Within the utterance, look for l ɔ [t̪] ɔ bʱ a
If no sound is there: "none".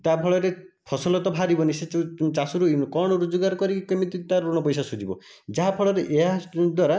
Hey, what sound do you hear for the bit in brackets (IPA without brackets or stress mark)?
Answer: t̪